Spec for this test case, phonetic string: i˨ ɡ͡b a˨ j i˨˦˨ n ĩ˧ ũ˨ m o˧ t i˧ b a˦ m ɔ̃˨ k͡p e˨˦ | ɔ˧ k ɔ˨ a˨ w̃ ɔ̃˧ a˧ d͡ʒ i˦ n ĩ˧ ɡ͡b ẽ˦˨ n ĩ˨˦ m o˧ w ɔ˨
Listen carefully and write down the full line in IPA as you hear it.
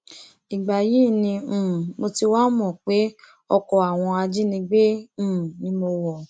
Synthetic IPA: i˨ ɡ͡b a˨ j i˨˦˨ n ĩ˧ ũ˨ m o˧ t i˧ w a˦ m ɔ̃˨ k͡p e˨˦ | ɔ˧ k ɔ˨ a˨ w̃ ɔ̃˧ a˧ d͡ʒ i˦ n ĩ˧ ɡ͡b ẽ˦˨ n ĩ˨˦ m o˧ w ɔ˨